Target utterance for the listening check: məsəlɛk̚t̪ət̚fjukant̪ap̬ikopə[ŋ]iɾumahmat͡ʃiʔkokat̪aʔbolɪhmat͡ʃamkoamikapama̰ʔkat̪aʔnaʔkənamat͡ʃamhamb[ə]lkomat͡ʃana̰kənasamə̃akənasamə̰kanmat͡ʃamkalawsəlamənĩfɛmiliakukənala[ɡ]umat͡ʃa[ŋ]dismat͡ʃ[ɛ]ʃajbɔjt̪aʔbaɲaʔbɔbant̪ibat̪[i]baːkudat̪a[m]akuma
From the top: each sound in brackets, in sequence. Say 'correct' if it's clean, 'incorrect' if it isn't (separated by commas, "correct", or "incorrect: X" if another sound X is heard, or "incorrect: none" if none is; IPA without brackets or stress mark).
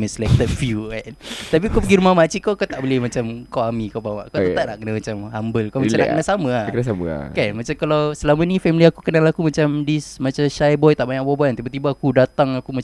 incorrect: ɡ, correct, incorrect: k, incorrect: m, incorrect: a, correct, incorrect: ŋ